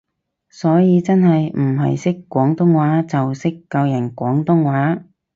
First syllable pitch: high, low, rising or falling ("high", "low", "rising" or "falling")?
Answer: rising